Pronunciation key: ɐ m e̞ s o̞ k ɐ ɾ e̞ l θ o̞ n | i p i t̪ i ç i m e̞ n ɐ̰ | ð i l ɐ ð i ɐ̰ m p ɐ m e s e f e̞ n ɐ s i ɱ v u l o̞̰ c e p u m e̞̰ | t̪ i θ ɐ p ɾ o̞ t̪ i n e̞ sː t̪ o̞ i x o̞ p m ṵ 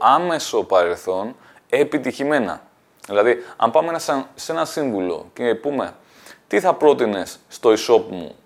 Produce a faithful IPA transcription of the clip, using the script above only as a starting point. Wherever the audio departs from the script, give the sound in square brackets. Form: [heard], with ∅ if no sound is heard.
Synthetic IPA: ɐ m e̞ s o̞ [p] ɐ ɾ e̞ l θ o̞ n | [e] p i t̪ i ç i m e̞ n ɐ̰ | ð i l ɐ ð i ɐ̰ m p ɐ m e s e [s] e̞ n ɐ s i ɱ v u l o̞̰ c e p u m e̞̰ | t̪ i θ ɐ p ɾ o̞ t̪ i n e̞ sː t̪ o̞ i [s] o̞ p m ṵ